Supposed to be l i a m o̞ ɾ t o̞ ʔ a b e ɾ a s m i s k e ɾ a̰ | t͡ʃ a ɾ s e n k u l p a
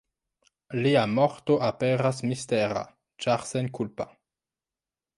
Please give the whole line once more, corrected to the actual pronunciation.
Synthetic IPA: l i a m o̞ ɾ t o̞ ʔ a p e ɾ a s m i s t e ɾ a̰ | t͡ʃ a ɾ s e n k u l p a